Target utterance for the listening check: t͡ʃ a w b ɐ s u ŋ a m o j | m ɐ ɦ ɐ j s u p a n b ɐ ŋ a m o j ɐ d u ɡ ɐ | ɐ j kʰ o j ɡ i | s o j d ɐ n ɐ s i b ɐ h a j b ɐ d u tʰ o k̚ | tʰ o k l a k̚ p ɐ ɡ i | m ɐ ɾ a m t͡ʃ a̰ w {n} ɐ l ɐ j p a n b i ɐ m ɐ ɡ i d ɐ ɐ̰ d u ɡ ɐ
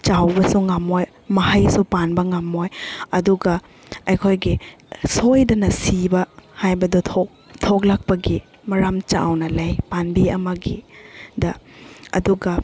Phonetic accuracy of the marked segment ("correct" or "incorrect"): correct